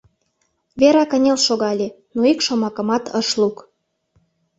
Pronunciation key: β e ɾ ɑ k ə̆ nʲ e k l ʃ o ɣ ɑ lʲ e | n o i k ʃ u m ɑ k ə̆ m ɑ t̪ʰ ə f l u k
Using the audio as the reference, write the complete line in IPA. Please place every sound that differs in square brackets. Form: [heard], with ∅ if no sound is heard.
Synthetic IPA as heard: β e ɾ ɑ k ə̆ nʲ e [∅] l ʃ o ɣ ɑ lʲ e | n o i k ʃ [o] m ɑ k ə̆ m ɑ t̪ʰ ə [ʃ] l u k